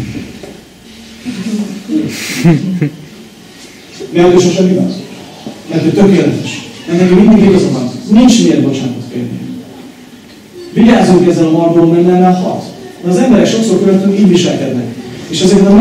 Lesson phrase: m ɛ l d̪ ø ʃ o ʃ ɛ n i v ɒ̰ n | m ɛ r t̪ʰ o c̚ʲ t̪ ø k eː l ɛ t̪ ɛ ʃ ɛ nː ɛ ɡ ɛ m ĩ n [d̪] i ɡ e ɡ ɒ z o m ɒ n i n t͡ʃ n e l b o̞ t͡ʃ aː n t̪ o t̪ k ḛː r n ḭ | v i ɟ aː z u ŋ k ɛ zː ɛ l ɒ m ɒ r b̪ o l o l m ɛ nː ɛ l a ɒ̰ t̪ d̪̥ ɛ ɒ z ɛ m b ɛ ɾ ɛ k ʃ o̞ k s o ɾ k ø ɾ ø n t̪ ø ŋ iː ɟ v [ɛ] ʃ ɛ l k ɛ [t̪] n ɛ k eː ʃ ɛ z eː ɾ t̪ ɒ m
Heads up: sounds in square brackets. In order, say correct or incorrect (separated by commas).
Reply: correct, incorrect, incorrect